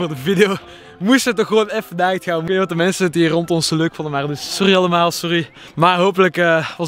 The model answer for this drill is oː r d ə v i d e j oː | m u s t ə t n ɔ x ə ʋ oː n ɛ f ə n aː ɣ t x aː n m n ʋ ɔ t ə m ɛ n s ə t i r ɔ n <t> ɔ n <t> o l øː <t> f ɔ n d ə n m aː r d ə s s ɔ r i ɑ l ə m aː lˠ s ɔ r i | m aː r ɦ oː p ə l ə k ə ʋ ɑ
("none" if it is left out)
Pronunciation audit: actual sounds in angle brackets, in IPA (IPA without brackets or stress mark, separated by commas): t, s, k